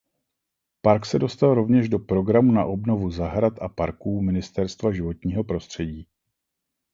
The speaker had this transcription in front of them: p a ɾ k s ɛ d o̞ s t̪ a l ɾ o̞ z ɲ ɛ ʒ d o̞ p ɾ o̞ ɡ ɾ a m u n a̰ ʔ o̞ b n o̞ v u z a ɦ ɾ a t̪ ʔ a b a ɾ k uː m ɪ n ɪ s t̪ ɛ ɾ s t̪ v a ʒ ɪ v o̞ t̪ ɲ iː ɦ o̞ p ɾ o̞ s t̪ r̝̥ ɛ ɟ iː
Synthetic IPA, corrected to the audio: p a ɾ k s ɛ d o̞ s t̪ a l ɾ o̞ v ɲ ɛ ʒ d o̞ p ɾ o̞ ɡ ɾ a m u n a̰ ʔ o̞ b n o̞ v u z a ɦ ɾ a t̪ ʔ a p a ɾ k uː m ɪ n ɪ s t̪ ɛ ɾ s t̪ v a ʒ ɪ v o̞ t̪ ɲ iː ɦ o̞ p ɾ o̞ s t̪ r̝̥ ɛ ɟ iː